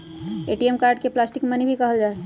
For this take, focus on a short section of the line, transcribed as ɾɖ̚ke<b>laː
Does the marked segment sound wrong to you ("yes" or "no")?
yes